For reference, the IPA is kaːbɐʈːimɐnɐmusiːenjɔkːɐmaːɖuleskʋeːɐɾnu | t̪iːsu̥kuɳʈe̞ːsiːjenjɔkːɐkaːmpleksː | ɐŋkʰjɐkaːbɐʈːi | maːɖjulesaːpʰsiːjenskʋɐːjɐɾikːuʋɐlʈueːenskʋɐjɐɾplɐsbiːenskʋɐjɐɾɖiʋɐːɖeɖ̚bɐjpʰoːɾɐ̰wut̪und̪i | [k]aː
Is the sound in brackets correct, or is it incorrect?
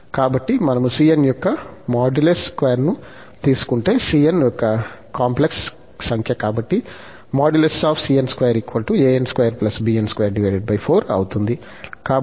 correct